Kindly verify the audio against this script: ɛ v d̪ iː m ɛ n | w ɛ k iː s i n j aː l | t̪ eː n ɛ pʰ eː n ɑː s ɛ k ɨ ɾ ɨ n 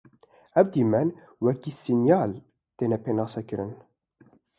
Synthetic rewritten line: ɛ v d̪ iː m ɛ n | w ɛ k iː s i n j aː l | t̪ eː n ɛ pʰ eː n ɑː s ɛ k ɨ ɾ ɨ n